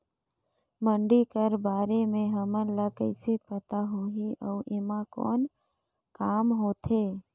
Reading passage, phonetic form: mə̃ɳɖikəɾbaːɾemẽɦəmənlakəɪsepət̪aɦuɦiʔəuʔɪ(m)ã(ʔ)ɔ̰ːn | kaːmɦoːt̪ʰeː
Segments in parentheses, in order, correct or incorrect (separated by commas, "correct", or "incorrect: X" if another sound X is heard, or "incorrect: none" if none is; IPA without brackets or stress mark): correct, incorrect: k